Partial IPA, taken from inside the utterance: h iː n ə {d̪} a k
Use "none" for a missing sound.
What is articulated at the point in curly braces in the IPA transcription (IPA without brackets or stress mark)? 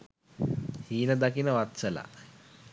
d̪